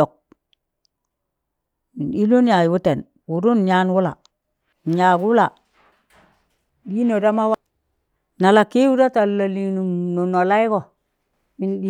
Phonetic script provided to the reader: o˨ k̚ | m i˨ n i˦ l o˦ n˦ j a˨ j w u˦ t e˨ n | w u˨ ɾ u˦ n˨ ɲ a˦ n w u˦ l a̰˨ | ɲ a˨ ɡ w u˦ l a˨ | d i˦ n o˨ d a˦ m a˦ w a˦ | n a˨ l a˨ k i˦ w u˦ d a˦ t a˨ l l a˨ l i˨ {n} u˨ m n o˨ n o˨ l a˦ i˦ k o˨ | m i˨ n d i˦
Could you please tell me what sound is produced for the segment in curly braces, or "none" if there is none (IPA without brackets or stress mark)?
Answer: n